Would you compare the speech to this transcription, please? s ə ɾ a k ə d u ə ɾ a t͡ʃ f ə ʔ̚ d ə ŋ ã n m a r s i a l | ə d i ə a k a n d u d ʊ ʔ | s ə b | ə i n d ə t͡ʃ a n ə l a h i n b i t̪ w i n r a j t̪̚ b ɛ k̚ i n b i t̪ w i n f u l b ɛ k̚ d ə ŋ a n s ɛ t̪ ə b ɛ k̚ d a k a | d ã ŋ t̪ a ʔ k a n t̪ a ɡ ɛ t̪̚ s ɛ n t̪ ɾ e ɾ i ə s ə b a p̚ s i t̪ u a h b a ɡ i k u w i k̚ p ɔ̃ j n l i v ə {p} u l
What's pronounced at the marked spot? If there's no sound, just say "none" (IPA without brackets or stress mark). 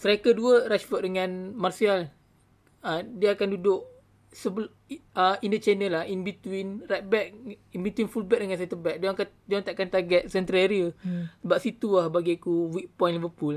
p